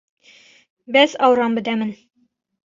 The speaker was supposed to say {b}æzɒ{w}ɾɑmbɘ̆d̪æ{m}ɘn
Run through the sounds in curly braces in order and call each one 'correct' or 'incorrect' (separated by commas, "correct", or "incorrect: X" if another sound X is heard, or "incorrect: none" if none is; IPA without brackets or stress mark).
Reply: correct, correct, correct